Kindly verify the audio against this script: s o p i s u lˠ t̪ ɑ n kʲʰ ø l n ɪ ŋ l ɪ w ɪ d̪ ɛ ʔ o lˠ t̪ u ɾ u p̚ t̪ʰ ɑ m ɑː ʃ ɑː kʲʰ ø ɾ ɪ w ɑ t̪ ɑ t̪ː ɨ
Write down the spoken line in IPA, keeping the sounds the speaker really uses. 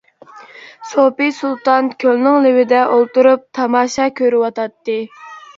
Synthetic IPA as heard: s o p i s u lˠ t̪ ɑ n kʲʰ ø l n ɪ ŋ l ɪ w ɪ d̪ ɛ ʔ o lˠ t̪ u ɾ u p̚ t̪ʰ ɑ m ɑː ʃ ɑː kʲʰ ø ɾ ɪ w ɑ t̪ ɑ t̪ː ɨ